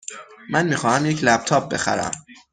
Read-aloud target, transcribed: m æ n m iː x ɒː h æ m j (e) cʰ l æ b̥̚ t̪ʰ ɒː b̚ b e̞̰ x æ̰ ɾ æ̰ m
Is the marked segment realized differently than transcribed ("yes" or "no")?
no